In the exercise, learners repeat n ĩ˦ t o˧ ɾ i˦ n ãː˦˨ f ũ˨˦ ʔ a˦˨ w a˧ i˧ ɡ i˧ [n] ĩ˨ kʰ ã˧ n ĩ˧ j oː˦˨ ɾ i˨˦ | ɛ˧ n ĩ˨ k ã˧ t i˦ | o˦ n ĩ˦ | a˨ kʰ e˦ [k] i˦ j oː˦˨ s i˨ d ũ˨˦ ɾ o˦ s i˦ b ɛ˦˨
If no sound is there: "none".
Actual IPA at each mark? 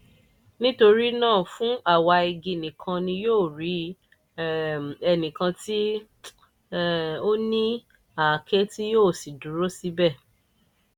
n, t

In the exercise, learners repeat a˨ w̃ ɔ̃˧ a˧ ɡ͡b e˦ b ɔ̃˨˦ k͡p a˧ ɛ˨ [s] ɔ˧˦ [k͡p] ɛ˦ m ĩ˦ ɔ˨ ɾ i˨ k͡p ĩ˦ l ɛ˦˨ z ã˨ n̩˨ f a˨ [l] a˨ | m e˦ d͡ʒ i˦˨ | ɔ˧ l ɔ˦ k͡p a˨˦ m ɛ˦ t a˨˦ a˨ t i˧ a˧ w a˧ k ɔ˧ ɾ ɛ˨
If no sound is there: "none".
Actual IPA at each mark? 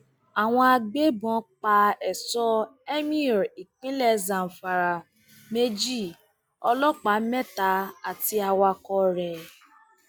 s, none, ɾ

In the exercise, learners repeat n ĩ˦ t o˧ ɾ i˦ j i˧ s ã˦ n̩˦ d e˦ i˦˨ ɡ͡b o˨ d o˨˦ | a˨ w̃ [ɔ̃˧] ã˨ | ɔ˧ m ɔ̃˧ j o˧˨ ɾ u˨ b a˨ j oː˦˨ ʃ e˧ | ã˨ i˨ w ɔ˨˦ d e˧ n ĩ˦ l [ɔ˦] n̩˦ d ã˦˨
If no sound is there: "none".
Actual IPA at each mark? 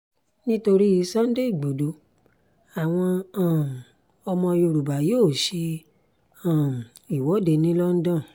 ɔ̃˧, ɔ˦

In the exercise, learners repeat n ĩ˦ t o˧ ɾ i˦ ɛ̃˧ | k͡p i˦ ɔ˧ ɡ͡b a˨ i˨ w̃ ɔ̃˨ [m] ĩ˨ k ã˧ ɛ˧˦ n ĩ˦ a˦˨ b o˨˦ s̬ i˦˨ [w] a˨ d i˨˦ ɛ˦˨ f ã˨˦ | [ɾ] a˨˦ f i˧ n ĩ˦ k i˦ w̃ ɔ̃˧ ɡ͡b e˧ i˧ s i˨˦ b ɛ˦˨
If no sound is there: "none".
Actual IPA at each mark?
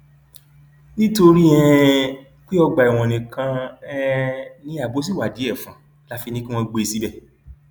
n, w, l

